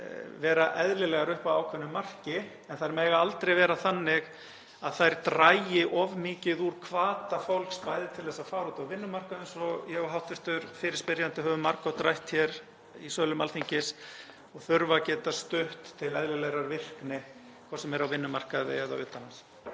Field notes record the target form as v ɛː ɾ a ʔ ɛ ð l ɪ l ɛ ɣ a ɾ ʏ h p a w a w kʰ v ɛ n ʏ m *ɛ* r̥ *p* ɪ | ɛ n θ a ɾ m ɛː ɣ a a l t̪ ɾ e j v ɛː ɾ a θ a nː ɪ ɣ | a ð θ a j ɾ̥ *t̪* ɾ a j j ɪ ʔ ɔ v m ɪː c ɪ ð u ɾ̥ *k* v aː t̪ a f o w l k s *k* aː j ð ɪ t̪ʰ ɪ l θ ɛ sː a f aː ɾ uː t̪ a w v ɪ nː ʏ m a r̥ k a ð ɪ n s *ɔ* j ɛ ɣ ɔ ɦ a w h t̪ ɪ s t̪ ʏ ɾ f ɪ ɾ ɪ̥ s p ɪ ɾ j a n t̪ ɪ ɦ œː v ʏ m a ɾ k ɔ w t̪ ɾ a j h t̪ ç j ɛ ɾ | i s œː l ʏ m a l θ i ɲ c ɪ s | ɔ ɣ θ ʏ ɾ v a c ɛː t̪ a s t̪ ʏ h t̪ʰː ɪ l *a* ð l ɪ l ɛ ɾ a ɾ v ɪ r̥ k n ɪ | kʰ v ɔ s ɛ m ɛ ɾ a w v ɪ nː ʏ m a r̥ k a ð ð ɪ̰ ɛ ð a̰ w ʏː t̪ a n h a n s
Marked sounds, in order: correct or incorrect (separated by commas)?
incorrect, incorrect, correct, incorrect, incorrect, correct, incorrect